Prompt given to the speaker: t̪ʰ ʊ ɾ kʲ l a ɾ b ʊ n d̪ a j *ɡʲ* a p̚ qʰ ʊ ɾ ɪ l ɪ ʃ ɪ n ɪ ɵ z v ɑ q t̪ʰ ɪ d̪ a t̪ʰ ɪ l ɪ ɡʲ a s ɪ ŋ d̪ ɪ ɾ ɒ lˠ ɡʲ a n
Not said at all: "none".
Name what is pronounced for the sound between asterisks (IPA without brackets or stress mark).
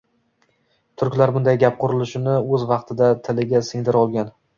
ɡʲ